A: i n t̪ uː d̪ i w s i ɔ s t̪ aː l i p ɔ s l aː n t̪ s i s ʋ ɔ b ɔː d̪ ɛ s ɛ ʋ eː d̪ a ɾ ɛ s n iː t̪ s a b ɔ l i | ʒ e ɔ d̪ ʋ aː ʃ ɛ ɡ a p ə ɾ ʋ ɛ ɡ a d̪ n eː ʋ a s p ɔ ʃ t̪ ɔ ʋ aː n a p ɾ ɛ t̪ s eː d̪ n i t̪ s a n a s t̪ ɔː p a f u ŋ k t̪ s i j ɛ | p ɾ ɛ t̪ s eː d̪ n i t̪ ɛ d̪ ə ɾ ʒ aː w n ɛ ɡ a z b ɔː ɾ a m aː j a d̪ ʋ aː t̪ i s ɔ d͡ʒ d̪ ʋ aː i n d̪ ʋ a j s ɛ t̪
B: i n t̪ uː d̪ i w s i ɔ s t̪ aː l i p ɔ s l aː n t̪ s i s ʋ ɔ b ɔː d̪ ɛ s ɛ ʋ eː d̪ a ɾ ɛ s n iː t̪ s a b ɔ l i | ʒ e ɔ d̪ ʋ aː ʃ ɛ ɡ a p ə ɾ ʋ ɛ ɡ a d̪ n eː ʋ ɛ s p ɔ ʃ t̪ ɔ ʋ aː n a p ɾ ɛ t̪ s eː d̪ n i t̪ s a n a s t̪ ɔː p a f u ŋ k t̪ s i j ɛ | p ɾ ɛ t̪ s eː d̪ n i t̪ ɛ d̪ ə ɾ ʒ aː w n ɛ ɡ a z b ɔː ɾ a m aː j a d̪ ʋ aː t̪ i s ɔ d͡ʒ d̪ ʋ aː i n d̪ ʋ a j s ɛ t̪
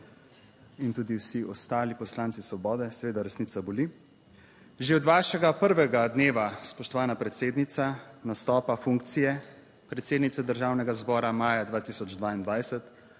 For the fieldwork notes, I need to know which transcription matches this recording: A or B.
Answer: A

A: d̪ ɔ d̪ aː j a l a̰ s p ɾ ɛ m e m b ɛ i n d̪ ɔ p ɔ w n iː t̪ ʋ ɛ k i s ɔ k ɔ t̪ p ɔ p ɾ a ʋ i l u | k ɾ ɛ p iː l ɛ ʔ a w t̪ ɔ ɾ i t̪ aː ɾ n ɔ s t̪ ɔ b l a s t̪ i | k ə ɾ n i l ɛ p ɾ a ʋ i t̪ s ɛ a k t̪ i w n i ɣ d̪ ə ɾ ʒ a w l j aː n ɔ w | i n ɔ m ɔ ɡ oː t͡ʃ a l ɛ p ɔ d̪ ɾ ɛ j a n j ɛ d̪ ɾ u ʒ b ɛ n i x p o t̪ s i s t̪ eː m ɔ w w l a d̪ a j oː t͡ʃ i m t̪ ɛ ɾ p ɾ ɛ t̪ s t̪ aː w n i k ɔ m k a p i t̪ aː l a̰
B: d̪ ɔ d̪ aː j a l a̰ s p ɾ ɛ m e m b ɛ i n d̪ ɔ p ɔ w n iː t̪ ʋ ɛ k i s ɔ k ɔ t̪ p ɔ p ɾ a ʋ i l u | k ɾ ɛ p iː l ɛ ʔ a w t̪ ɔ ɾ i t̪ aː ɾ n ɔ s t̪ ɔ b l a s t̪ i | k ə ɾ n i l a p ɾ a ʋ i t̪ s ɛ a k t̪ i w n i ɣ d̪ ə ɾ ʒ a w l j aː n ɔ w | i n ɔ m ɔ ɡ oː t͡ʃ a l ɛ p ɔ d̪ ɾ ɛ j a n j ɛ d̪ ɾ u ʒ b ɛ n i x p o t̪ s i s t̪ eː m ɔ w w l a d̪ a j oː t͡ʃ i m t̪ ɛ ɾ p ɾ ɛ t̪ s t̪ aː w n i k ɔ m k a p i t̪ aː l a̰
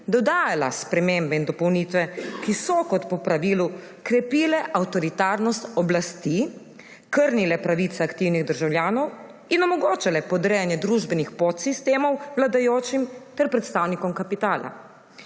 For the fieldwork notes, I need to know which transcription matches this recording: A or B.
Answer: A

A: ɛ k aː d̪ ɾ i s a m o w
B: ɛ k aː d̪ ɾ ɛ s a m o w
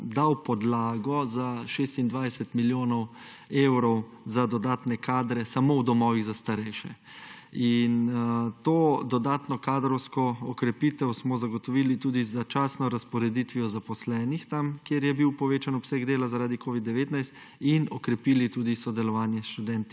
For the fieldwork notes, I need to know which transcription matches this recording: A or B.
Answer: B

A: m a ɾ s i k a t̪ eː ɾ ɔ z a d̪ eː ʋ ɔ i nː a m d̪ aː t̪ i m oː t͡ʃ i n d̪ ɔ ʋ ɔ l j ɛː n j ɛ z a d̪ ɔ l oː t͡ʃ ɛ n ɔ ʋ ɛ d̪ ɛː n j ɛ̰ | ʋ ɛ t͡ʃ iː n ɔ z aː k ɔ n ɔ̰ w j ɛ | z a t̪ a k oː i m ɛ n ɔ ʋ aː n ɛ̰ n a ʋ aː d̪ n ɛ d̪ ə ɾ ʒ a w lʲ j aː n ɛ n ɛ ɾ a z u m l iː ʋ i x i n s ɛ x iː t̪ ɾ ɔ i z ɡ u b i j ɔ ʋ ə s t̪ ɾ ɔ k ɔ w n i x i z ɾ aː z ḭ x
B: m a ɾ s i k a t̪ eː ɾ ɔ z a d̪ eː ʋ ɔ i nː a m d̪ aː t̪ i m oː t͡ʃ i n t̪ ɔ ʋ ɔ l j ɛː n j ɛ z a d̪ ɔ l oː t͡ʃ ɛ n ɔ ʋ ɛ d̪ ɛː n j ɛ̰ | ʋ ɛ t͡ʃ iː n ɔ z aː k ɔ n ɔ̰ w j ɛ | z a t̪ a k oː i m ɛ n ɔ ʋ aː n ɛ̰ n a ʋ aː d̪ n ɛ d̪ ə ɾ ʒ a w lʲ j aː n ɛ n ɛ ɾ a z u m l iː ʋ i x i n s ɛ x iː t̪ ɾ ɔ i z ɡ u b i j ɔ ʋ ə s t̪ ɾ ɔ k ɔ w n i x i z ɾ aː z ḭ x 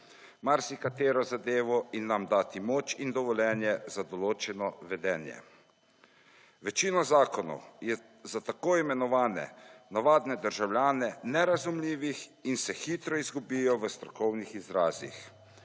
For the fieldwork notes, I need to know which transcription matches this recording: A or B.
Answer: A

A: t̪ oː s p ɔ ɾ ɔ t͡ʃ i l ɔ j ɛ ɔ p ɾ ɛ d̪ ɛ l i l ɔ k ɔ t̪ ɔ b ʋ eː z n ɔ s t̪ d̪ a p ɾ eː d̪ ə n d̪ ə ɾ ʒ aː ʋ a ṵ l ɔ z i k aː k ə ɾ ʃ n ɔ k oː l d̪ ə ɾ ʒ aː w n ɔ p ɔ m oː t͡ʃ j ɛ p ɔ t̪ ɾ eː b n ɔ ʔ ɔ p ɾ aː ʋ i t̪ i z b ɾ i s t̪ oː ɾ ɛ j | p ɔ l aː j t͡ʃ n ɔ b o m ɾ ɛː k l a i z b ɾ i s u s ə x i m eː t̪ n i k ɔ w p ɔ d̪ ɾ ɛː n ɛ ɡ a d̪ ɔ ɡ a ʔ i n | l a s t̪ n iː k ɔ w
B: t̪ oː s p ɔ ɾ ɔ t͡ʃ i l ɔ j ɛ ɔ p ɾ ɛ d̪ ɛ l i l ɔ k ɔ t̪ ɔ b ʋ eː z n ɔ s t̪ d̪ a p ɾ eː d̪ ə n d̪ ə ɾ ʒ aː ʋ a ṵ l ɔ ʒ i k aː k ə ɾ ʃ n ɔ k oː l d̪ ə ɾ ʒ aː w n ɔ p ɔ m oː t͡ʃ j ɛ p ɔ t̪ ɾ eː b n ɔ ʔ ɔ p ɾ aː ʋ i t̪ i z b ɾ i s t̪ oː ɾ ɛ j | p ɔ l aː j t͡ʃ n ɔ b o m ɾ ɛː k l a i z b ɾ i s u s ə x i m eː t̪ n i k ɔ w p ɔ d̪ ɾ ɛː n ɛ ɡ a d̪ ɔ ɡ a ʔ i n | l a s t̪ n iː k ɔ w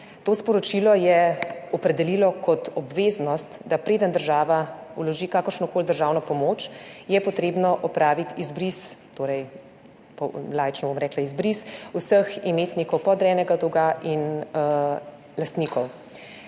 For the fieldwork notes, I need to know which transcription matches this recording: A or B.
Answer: B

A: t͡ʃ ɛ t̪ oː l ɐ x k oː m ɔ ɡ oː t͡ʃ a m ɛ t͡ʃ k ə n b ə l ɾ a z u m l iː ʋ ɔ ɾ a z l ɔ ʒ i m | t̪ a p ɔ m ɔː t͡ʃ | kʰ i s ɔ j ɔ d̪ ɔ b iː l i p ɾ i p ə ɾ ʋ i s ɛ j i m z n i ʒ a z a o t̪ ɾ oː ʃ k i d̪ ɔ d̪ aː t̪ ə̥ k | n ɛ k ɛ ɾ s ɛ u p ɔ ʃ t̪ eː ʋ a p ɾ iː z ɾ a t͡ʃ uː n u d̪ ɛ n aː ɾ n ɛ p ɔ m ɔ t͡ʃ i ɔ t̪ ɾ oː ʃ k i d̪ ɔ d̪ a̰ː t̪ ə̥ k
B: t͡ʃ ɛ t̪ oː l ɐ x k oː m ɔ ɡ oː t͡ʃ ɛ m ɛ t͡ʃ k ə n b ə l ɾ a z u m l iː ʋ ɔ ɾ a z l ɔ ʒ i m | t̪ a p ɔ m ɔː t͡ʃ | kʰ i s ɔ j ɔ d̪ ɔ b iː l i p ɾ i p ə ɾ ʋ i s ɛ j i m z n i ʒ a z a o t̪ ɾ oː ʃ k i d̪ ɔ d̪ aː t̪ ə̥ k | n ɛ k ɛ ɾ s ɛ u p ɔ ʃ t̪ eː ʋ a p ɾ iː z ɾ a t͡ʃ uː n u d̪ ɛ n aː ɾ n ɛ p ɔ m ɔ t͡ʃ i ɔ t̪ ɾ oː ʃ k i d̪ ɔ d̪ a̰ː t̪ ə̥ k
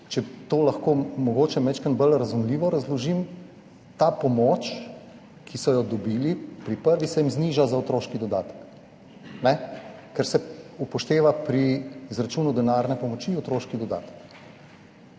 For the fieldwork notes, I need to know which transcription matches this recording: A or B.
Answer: B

